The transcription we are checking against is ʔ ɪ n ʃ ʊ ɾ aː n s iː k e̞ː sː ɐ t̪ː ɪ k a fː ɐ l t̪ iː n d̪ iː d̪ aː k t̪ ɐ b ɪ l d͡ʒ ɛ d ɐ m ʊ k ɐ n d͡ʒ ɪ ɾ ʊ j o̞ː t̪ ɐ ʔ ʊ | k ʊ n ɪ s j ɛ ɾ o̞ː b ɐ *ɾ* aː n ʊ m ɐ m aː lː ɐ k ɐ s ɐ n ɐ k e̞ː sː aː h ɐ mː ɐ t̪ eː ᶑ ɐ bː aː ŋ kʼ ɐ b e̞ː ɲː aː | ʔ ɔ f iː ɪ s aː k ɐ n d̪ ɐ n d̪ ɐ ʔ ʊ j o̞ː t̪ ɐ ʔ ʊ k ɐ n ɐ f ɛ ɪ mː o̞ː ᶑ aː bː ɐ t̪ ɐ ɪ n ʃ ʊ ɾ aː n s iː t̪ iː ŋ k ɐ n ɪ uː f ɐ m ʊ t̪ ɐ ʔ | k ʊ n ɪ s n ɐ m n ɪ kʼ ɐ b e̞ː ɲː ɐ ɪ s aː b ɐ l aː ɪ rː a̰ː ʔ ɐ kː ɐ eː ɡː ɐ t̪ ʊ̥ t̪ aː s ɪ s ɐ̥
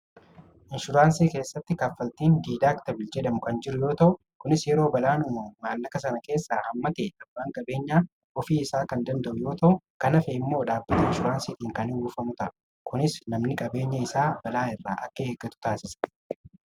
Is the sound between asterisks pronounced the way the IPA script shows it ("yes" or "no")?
no